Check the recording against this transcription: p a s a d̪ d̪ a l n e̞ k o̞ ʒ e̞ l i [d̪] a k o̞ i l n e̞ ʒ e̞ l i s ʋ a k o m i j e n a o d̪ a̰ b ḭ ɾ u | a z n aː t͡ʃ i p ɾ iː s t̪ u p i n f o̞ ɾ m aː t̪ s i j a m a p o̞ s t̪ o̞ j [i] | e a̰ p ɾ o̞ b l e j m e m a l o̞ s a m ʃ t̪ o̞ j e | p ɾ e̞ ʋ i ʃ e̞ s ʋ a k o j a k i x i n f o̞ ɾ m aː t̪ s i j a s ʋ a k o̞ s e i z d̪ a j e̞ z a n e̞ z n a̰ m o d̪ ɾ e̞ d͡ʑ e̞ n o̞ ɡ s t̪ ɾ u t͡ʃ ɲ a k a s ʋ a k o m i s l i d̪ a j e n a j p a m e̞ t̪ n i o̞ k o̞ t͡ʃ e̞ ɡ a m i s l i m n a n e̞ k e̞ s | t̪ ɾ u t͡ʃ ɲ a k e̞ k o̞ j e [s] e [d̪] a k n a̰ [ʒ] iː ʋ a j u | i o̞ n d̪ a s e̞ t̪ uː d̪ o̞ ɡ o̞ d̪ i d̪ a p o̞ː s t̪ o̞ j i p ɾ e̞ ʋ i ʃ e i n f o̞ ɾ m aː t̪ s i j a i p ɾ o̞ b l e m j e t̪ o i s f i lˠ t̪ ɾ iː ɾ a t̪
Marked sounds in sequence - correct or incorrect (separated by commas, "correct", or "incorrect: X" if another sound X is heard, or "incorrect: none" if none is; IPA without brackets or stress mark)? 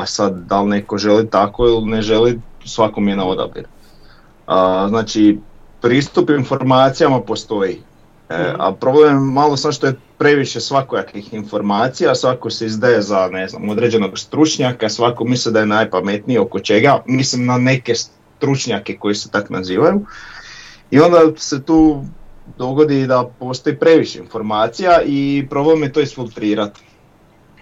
incorrect: t̪, correct, correct, incorrect: t̪, incorrect: z